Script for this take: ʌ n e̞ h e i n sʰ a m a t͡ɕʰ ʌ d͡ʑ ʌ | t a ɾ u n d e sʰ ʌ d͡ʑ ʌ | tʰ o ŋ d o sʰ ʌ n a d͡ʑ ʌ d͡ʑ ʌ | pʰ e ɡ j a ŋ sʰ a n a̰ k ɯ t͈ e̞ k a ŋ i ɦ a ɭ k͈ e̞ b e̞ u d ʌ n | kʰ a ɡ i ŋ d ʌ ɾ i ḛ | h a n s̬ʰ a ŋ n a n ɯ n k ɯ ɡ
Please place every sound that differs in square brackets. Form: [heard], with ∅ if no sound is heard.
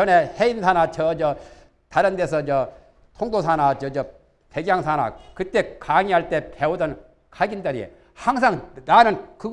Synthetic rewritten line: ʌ n e̞ h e i n sʰ a [n] a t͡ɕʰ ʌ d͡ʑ ʌ | t a ɾ [ɯ] n d e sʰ ʌ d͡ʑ ʌ | tʰ o ŋ d o sʰ [a] n a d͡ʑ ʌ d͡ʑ ʌ | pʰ e ɡ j a ŋ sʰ a n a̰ k ɯ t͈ e̞ k a ŋ i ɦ a ɭ [t͈] e̞ [p] e̞ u d ʌ n | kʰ a ɡ i [n] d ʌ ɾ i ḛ | h a [ŋ] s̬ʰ a ŋ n a n ɯ n k ɯ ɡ